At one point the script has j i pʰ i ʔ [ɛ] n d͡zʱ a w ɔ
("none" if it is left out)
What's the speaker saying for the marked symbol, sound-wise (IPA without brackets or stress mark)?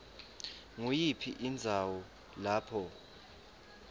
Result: i